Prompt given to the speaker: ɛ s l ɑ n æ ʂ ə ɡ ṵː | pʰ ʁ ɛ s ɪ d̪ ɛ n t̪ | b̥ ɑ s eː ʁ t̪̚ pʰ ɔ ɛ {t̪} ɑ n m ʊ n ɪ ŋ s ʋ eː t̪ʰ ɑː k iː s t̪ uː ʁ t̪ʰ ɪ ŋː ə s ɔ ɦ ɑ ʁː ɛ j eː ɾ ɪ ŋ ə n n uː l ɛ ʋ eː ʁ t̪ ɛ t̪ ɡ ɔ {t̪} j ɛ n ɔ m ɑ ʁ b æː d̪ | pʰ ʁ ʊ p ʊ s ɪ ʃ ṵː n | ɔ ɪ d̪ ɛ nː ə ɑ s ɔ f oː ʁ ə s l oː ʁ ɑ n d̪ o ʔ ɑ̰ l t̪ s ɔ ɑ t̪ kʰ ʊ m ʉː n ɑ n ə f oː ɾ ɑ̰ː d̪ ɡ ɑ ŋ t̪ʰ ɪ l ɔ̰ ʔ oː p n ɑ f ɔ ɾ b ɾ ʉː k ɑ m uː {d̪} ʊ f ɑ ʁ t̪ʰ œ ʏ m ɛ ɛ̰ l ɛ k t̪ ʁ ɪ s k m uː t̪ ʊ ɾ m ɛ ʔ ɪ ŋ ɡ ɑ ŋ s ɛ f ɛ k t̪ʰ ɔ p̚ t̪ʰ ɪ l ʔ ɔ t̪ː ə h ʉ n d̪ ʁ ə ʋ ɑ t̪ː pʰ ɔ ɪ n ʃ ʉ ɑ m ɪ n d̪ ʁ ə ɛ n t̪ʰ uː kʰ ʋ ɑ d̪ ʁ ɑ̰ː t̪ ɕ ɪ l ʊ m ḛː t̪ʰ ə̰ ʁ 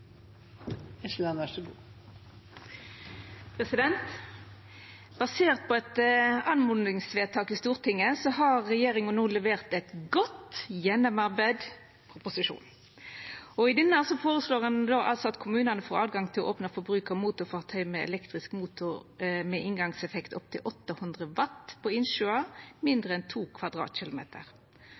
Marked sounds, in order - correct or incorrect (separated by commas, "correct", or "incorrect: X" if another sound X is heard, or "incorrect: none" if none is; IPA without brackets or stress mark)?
correct, correct, incorrect: t̪